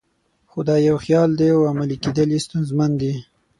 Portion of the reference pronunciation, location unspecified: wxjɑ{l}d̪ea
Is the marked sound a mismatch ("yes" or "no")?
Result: no